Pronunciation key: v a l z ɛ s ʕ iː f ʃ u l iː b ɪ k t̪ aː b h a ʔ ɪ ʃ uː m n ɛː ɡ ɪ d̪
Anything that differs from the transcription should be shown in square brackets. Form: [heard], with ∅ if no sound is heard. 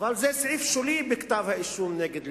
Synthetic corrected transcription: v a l z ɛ s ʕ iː f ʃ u l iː b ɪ k t̪ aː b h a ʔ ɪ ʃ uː m n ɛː ɡ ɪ d̪